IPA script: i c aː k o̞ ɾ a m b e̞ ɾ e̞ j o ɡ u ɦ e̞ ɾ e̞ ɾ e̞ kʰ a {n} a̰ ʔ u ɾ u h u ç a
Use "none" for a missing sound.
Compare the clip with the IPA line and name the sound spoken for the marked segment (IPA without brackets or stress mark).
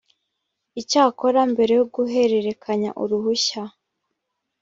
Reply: ɲ